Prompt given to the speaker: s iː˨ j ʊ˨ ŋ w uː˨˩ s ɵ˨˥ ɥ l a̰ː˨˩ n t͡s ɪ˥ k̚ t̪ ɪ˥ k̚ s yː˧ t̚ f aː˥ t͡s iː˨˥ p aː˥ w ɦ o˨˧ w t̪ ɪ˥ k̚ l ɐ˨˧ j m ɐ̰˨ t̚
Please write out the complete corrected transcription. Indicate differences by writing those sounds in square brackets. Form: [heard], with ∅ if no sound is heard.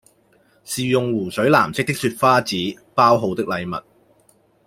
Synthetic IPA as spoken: s iː˨ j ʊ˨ ŋ w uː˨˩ s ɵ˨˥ ɥ l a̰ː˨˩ [m] t͡s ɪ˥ k̚ t̪ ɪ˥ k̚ s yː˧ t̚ f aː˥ t͡s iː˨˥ p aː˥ w ɦ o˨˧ w t̪ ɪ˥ k̚ l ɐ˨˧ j m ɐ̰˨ t̚